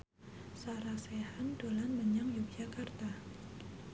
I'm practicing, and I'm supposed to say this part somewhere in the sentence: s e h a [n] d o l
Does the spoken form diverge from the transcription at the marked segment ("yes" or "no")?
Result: no